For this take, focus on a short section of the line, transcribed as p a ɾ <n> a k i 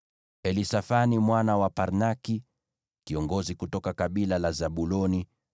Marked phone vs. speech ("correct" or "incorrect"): correct